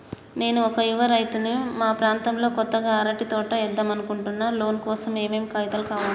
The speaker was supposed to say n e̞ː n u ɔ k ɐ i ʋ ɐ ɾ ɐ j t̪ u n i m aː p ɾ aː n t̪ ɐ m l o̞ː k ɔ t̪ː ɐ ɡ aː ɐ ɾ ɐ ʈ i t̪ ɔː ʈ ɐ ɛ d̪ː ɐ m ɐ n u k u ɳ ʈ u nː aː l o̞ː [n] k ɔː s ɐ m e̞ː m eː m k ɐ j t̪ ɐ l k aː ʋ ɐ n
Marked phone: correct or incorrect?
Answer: correct